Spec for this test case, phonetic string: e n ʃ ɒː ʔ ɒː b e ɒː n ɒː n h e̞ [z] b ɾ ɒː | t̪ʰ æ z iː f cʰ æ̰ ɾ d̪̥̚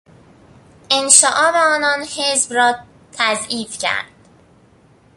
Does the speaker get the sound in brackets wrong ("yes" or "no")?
no